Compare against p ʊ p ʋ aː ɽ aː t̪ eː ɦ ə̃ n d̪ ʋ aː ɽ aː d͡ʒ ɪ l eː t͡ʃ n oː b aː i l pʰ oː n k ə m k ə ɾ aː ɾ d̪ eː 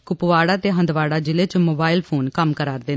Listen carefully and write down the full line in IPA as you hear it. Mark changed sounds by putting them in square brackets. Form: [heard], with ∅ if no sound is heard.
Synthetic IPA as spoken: [k] ʊ p ʋ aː ɽ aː t̪ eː ɦ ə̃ n d̪ ʋ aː ɽ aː d͡ʒ ɪ l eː t͡ʃ [m] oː b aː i l pʰ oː n k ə m k ə ɾ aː ɾ d̪ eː